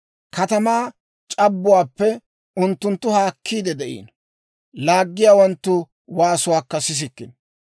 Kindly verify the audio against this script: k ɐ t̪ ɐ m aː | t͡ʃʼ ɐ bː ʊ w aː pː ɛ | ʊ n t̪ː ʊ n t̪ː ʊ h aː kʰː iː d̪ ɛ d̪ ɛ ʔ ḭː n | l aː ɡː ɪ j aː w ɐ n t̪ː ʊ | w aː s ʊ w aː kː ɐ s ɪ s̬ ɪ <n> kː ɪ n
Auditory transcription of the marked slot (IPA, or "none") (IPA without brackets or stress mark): none